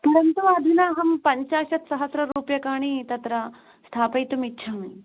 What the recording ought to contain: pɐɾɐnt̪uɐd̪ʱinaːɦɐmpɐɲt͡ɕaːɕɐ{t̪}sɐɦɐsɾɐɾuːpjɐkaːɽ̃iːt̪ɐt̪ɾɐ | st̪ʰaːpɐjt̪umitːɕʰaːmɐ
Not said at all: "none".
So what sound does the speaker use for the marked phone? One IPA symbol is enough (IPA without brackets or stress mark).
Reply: t̪